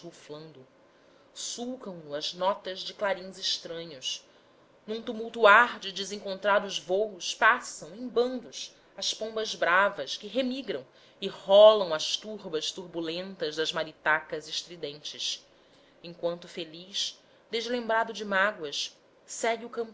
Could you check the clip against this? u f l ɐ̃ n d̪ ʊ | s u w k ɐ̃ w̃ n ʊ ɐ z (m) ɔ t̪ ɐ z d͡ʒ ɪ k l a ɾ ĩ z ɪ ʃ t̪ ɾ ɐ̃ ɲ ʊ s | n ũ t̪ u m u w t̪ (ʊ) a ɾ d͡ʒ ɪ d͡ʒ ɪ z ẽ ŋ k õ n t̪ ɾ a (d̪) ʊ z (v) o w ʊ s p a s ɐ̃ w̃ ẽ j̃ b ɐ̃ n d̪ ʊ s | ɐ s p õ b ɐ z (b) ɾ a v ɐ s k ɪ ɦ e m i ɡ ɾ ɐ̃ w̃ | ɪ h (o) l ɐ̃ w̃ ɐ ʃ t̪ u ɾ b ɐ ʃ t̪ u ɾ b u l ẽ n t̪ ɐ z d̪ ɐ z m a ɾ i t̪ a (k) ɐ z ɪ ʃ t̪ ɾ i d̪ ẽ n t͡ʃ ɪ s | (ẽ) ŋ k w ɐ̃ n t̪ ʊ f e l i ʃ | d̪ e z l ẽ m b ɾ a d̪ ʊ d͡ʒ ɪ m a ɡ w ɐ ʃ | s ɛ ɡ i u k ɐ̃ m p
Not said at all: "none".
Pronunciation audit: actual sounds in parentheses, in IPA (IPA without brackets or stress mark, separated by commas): n, u, d̪, v, b, ɔ, k, ẽ